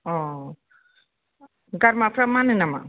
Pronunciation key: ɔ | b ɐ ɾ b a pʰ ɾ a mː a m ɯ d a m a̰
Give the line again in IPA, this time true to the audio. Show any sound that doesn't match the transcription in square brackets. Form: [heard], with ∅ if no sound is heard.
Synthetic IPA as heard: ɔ | [ɡ] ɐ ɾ [m] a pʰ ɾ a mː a [n] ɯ [n] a m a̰